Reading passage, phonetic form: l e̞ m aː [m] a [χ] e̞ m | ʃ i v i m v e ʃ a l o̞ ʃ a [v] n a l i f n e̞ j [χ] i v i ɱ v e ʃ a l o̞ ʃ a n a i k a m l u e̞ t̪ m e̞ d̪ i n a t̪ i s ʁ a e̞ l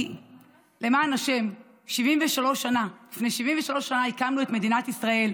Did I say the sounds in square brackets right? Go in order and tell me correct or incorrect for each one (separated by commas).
incorrect, incorrect, incorrect, incorrect